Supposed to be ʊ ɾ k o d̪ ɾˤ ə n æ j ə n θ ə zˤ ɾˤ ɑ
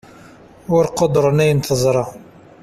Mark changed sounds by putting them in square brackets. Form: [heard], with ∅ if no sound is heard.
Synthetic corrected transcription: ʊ ɾ [q] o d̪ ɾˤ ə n æ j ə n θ ə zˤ ɾˤ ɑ